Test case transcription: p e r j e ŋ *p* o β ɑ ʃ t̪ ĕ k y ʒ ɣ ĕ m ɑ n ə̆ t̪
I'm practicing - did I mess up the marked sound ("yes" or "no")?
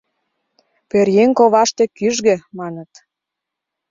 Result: yes